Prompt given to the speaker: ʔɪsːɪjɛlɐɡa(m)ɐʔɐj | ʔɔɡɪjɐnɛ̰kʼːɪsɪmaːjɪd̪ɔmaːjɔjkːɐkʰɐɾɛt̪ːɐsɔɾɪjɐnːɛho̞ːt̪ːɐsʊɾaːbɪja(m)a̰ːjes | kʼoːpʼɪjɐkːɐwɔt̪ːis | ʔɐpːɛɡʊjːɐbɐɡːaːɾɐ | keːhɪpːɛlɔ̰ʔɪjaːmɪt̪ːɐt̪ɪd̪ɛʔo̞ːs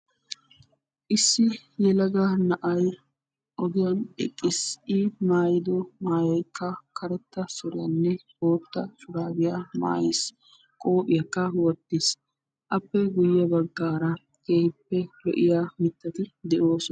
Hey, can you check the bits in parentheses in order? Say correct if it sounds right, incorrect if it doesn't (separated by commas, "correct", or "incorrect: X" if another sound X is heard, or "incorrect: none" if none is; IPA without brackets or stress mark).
incorrect: n, correct